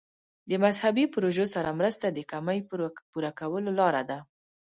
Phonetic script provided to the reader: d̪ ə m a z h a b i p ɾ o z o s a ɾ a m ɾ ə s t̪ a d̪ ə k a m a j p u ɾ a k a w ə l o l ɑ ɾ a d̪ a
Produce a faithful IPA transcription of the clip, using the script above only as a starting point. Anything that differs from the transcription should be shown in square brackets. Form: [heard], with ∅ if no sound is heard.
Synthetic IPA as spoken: d̪ ə m a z h a b i p ɾ o [ʒ] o s a ɾ a m ɾ ə s t̪ a d̪ ə k a m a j p u ɾ a k a w ə l o l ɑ ɾ a d̪ a